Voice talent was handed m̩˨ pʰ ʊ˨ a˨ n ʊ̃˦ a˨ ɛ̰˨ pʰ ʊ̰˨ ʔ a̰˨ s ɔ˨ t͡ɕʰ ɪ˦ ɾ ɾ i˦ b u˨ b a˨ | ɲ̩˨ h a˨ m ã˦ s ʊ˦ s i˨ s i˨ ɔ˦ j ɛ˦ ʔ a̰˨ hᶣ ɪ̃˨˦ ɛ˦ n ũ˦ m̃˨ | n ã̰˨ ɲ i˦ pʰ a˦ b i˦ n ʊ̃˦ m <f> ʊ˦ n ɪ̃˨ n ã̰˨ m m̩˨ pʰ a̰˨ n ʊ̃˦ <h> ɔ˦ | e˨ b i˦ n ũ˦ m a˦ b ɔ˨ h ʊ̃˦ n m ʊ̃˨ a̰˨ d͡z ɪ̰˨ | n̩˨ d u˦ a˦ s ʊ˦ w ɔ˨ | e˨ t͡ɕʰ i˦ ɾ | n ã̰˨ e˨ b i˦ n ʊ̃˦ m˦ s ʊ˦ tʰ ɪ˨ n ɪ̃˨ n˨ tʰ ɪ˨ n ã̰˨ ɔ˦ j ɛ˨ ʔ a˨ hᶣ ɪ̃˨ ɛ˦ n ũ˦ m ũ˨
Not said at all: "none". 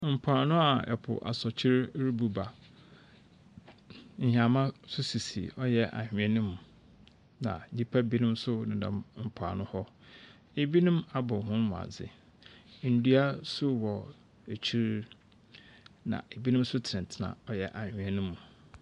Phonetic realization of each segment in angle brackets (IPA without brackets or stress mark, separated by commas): s, h